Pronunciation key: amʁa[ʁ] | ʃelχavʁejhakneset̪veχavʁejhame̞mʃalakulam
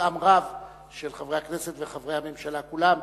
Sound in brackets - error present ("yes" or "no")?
yes